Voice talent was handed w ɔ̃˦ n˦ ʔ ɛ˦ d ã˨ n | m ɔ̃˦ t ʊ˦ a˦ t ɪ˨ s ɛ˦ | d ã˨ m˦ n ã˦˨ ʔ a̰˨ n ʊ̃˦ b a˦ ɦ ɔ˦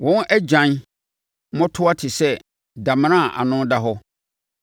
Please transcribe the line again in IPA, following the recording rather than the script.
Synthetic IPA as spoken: w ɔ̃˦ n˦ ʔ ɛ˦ d͡ʑ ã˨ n | m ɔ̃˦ tʰ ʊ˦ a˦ tʰ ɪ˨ s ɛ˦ | d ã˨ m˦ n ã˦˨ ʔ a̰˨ n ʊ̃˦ d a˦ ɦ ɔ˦

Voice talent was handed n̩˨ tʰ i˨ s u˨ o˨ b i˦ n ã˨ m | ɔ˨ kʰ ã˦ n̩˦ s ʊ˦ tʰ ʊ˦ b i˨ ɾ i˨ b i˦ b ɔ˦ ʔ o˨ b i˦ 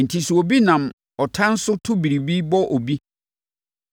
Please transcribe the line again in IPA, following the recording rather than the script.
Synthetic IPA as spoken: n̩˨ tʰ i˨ s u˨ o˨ b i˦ n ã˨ m | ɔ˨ tʰ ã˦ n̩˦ s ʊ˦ tʰ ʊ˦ b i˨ ɾ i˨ b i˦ b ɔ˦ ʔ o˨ b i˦

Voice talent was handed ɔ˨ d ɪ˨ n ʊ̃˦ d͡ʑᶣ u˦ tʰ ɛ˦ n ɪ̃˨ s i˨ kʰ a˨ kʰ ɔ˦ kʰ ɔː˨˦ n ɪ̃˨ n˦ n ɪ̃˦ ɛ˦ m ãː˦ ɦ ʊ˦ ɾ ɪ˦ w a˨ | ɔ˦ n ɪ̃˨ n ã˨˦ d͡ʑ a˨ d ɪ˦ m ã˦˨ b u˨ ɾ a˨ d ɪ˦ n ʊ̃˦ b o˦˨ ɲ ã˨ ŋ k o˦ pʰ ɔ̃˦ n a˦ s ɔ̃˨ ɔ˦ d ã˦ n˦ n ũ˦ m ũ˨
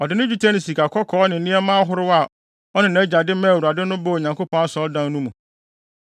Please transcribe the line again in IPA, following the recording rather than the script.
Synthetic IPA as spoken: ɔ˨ d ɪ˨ n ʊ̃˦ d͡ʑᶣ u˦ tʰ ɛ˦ n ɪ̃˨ s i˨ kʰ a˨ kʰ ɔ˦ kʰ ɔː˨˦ n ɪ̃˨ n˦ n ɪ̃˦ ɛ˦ m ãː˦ ɦ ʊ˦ ɾ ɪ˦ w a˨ | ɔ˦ n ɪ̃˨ n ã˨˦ d͡ʑ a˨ d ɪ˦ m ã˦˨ w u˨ ɾ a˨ d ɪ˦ n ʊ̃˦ b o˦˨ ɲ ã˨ ŋ k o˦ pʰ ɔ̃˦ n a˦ s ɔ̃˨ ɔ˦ d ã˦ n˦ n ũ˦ m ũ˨

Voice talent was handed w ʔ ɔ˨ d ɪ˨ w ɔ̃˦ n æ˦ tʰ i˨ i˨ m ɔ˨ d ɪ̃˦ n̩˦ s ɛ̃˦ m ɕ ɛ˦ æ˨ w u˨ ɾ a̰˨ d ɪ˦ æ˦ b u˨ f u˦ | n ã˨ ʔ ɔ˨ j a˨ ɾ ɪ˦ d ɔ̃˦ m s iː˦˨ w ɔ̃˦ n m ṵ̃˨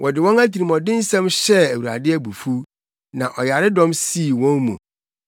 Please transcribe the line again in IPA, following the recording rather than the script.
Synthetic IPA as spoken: w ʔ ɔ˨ d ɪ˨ w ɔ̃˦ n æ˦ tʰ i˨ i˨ m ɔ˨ d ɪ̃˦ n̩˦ s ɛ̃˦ m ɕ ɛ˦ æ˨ w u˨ ɾ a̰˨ d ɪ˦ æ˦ b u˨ f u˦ | n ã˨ ʔ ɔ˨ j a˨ ɾ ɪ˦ d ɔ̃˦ m s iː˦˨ w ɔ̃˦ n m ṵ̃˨

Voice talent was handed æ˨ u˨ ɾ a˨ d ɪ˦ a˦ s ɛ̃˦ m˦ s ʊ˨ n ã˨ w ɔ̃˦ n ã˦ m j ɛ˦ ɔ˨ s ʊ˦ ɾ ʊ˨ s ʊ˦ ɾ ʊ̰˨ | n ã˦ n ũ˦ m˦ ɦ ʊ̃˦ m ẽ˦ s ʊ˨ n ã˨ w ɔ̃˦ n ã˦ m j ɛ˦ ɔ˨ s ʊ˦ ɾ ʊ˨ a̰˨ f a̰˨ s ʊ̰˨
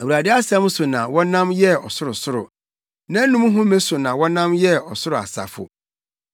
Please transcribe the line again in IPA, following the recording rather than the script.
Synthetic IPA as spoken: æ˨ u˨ ɾ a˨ d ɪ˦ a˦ s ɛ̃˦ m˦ s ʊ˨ n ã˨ w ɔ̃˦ n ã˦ m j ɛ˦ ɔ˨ s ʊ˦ ɾ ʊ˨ s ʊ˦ ɾ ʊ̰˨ | n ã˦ n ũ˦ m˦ ɦ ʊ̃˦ m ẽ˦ s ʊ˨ n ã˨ w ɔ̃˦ n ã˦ m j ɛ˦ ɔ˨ s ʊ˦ ɾ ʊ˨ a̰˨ s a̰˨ f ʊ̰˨

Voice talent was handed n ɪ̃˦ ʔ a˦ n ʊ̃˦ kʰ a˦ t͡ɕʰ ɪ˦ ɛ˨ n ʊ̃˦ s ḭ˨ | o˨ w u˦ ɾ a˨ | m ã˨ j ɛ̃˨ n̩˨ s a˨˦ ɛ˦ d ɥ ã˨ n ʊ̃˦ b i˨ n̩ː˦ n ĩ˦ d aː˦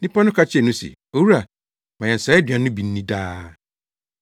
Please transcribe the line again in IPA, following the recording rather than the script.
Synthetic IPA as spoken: n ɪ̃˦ p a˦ n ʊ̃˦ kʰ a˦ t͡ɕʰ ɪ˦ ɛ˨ n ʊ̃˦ s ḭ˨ | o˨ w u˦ ɾ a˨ | m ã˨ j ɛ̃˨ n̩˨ s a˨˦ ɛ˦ d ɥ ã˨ n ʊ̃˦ b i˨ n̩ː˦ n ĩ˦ d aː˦

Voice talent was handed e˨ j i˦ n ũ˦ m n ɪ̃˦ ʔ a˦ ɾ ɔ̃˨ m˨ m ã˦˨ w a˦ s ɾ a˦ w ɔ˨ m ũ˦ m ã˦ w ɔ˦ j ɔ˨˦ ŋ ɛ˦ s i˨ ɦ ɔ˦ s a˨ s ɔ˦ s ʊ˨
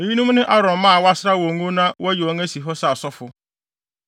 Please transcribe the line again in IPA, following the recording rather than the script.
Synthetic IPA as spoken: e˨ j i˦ n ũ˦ m n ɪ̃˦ ʔ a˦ ɾ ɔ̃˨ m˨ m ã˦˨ w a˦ s ɾ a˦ w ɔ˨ ŋ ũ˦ n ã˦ w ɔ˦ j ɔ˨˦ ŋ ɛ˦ s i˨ ɦ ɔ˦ s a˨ s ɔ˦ f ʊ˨

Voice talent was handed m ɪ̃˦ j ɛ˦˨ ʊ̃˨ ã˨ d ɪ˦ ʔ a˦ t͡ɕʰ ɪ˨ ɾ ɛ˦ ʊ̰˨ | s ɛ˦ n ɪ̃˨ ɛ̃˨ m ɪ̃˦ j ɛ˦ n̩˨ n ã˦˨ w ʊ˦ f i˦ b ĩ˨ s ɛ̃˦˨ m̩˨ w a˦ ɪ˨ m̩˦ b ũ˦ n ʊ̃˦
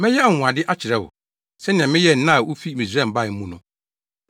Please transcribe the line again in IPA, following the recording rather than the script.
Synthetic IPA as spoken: m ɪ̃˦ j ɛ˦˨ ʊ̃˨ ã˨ d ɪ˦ ʔ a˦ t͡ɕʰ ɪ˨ ɾ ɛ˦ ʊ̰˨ | s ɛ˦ n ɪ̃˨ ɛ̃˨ m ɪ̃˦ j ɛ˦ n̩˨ n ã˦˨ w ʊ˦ f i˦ m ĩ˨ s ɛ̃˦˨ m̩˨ b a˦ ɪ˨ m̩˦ m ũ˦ n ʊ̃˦

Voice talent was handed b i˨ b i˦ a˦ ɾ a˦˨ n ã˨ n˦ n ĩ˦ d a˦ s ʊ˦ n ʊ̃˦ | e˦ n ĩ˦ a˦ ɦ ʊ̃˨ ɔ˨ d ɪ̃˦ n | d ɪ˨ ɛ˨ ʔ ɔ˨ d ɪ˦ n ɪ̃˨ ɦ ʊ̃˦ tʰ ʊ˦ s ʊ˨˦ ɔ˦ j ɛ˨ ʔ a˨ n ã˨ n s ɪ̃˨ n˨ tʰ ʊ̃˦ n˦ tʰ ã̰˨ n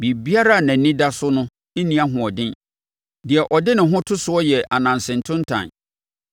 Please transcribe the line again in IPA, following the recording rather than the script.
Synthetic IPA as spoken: b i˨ b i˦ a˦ ɾ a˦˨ n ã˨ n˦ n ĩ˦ d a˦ s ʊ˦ n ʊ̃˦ | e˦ n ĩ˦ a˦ ɦ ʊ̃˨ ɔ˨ d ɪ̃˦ n | d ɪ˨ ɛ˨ ʔ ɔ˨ d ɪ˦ n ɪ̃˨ ɦ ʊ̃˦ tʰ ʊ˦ s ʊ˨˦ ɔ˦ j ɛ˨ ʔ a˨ n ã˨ n s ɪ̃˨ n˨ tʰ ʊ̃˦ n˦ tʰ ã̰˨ n

